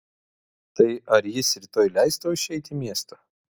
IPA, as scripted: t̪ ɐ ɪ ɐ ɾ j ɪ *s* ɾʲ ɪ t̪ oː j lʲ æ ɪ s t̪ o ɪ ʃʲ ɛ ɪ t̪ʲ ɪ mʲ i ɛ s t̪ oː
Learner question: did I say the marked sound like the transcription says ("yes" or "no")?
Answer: yes